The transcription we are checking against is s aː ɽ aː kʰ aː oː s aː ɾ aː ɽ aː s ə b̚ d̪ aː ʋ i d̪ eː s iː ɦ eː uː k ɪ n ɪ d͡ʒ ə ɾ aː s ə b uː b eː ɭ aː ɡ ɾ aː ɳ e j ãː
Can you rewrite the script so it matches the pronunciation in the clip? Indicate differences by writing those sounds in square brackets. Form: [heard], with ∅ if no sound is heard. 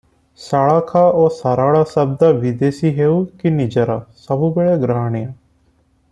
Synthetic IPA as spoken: s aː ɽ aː kʰ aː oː s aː ɾ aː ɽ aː s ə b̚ d̪ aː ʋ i d̪ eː s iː ɦ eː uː k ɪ n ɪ d͡ʒ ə ɾ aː s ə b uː b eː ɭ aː ɡ ɾ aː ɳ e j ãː